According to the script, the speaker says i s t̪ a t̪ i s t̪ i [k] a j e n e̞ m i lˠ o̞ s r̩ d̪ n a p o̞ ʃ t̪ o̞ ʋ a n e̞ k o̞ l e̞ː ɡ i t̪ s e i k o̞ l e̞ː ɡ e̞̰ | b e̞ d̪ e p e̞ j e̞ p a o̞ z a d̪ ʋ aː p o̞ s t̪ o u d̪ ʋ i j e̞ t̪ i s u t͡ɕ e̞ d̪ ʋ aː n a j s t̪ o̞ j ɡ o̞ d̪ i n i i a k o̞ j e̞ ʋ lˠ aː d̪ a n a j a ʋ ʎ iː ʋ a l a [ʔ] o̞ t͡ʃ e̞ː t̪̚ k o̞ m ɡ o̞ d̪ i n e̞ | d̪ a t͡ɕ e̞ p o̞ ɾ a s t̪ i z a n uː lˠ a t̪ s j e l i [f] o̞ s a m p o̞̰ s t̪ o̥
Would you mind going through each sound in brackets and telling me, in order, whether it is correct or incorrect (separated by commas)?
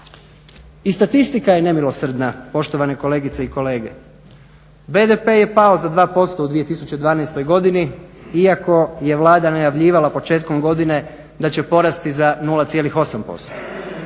correct, incorrect, incorrect